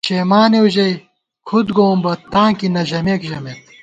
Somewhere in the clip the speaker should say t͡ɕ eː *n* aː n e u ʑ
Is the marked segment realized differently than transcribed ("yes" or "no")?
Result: yes